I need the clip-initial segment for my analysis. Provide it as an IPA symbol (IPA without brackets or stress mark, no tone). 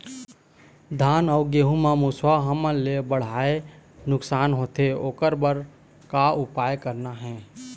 d̪ʱ